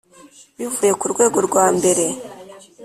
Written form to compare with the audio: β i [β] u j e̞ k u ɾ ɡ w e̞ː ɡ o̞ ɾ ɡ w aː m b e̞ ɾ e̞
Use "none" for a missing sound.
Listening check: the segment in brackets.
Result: v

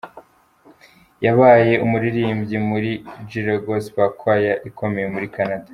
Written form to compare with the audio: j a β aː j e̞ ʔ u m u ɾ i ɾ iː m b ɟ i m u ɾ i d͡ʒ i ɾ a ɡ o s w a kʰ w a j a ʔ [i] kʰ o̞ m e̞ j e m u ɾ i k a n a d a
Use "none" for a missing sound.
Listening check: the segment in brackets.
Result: i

